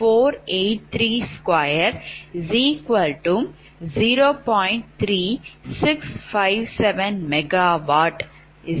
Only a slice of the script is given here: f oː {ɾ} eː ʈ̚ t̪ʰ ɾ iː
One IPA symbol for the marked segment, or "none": ɾ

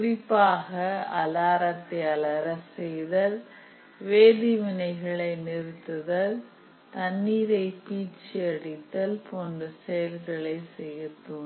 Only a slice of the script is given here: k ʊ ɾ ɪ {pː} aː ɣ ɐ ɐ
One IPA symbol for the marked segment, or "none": pː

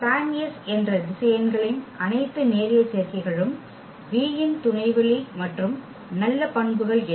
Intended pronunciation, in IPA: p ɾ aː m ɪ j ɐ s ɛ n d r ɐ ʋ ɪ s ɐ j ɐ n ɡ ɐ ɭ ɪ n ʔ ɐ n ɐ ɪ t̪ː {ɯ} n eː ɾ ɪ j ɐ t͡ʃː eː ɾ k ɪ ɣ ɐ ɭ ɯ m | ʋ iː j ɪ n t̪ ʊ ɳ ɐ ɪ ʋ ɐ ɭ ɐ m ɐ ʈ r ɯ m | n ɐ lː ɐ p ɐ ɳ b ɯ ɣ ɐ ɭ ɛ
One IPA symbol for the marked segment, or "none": ɯ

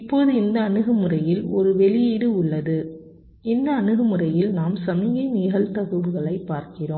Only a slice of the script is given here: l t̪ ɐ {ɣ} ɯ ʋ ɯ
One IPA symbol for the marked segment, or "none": ɣ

